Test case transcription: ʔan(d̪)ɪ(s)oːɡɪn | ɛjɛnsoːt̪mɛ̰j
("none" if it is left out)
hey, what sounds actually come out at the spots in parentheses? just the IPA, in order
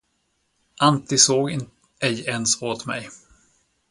t̪, s

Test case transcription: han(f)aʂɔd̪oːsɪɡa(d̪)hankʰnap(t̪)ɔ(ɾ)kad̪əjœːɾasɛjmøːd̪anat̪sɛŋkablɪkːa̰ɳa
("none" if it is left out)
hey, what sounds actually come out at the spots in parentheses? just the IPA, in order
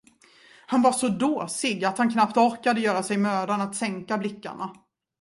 v, t̪, t̪, ɾ

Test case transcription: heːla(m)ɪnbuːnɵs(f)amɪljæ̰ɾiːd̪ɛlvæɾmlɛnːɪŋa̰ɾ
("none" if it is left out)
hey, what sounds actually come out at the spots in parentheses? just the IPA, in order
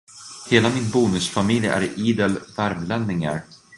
m, f

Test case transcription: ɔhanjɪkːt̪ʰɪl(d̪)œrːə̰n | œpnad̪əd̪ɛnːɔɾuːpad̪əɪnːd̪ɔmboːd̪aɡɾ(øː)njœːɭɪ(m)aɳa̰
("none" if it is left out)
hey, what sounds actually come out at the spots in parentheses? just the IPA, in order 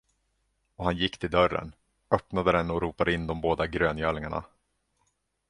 d̪, øː, ŋ

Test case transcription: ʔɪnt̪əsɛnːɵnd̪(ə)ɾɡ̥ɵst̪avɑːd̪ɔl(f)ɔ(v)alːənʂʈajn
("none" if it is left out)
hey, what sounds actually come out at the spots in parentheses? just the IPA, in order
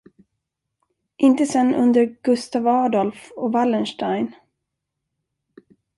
ə, f, v

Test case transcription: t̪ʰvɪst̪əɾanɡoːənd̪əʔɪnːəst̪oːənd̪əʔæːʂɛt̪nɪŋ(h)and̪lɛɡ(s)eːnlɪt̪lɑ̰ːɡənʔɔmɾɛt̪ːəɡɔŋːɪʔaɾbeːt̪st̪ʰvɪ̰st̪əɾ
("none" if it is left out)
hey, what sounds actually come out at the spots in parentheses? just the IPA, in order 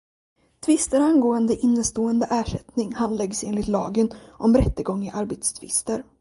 h, s

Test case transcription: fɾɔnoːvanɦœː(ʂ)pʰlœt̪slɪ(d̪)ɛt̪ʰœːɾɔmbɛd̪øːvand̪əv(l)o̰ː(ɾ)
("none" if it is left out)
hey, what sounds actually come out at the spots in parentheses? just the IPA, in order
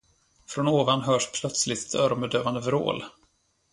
ʂ, t̪, ɾ, l

